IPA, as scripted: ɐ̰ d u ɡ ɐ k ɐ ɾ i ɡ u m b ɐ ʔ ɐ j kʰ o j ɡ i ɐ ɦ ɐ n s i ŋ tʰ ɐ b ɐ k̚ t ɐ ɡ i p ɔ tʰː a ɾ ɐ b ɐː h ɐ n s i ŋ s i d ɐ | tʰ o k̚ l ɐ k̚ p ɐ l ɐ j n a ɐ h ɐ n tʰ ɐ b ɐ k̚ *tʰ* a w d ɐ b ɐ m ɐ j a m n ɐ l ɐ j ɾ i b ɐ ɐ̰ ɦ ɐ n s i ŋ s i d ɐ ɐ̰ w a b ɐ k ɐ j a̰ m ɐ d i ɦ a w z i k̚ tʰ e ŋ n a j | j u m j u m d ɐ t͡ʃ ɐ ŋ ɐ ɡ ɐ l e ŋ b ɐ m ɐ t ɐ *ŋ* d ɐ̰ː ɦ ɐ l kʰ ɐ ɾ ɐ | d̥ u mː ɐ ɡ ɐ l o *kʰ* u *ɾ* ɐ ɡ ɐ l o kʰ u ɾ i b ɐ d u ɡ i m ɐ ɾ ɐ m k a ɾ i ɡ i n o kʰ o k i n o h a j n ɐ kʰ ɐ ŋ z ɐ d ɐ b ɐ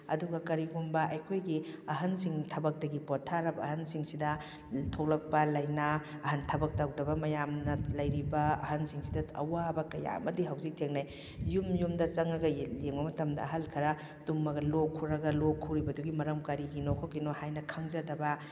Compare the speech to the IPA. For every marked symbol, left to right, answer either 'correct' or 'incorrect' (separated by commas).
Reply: incorrect, incorrect, correct, correct